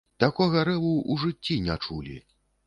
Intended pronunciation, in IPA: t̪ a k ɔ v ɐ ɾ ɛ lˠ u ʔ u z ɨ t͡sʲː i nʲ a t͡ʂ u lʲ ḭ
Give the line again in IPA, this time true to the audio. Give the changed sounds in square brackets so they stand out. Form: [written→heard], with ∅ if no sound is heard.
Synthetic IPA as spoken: t̪ a k ɔ [v→ɣ] ɐ ɾ ɛ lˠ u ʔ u [z→ʐ] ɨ t͡sʲː i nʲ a t͡ʂ u lʲ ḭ